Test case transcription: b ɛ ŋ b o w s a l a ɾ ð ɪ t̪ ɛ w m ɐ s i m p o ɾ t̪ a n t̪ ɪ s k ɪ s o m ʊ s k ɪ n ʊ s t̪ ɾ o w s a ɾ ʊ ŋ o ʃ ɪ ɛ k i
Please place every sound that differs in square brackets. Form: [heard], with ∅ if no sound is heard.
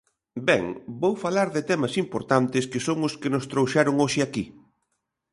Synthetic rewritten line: b ɛ ŋ b o w [f] a l a ɾ ð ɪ t̪ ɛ [∅] m ɐ s i m p o ɾ t̪ a n t̪ ɪ s k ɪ s o [ŋ] ʊ s k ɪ n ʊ s t̪ ɾ o w [ʃ] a ɾ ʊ ŋ o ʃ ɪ [a] k i